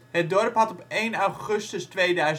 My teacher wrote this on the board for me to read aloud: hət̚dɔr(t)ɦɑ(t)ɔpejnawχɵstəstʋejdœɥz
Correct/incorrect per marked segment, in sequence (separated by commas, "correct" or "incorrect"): incorrect, correct